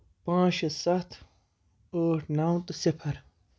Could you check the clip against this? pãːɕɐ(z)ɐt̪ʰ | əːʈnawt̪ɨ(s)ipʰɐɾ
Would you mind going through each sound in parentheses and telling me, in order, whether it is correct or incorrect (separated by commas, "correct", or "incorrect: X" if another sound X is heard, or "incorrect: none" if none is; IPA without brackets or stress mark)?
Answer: incorrect: s, correct